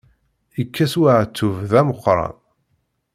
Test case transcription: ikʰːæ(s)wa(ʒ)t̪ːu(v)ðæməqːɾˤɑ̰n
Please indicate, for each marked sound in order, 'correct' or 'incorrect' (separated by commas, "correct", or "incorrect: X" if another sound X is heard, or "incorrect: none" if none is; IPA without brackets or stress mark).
correct, incorrect: ʕ, correct